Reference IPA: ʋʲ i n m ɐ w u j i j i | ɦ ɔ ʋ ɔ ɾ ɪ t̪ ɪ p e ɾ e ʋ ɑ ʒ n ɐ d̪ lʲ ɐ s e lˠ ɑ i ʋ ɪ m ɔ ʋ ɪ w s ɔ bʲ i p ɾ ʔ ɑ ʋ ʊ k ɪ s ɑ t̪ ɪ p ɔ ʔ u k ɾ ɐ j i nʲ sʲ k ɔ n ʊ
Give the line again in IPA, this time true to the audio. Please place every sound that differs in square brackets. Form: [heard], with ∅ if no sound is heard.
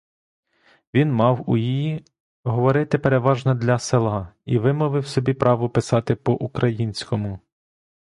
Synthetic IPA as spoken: ʋʲ i n m [ɑ] w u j i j i | ɦ ɔ ʋ ɔ ɾ ɪ t̪ ɪ p e ɾ e ʋ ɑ ʒ n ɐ d̪ lʲ ɐ s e lˠ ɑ i ʋ ɪ m ɔ ʋ ɪ w s ɔ bʲ i p ɾ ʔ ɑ ʋ ʊ [p] ɪ s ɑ t̪ ɪ p ɔ ʔ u k ɾ ɐ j i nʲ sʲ k ɔ [m] ʊ